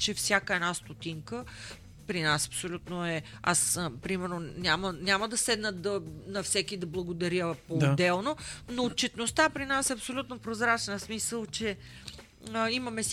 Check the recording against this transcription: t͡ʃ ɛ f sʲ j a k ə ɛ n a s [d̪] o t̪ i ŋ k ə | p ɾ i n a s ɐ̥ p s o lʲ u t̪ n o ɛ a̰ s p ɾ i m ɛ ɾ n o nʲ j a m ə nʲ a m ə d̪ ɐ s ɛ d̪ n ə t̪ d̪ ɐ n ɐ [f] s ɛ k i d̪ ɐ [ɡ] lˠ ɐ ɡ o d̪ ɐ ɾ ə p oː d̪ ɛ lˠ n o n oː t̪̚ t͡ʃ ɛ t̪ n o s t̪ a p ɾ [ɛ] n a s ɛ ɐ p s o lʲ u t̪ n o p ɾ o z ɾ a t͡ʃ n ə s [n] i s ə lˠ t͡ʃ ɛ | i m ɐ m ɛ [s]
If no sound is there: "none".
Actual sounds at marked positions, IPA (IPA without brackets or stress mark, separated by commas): t̪, f, b, i, m, s